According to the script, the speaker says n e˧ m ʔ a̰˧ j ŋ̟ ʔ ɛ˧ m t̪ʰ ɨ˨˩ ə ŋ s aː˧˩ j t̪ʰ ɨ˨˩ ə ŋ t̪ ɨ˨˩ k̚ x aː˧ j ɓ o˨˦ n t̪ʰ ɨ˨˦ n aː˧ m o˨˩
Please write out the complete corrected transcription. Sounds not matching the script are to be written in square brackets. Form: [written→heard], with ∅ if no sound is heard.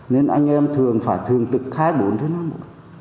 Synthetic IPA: n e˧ [m→n] ʔ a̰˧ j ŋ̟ ʔ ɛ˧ m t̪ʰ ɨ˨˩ ə ŋ [s→f] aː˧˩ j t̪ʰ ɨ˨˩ ə ŋ t̪ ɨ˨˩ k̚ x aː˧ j ɓ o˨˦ n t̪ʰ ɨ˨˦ n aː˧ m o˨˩